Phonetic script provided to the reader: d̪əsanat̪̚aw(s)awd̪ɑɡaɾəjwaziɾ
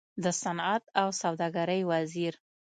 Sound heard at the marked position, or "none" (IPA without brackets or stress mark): s